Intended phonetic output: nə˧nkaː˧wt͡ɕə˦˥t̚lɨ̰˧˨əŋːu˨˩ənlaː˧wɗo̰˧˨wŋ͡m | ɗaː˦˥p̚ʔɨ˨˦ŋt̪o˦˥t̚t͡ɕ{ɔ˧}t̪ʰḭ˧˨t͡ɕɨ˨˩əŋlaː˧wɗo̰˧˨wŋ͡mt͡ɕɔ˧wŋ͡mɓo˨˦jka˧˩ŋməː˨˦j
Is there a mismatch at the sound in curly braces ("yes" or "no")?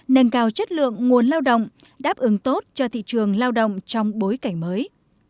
no